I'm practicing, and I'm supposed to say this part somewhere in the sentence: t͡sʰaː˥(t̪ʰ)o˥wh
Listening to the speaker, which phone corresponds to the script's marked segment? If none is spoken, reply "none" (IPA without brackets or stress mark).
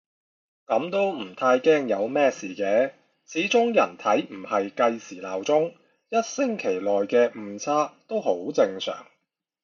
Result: t̪